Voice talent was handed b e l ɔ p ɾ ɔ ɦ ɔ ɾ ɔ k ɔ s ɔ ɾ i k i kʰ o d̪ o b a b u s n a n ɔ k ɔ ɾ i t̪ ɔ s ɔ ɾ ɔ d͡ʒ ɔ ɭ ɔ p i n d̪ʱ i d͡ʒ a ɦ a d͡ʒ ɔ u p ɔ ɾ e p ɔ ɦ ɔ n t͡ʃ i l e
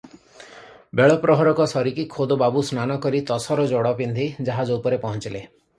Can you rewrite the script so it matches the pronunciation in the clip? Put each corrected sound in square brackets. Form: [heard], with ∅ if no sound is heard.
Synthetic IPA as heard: b e [ɭ] ɔ p ɾ ɔ ɦ ɔ ɾ ɔ k ɔ s ɔ ɾ i k i kʰ o d̪ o b a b u s n a n ɔ k ɔ ɾ i t̪ ɔ s ɔ ɾ ɔ d͡ʒ ɔ [ɽ] ɔ p i n d̪ʱ i d͡ʒ a ɦ a d͡ʒ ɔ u p ɔ ɾ e p ɔ ɦ ɔ n t͡ʃ i l e